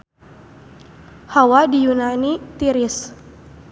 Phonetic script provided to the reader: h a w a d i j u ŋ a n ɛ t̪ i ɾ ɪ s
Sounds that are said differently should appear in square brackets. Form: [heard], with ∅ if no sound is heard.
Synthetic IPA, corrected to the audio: h a w a d i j u [n] a n [i] t̪ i ɾ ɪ s